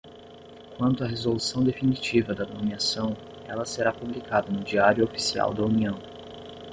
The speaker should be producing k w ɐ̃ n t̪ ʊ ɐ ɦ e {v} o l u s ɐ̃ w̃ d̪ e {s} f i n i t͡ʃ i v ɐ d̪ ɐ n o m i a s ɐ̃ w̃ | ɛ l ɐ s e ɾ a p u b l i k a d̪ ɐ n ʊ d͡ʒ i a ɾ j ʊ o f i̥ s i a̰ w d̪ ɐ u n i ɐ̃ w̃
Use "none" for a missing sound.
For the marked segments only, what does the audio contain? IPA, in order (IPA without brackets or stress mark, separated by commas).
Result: z, none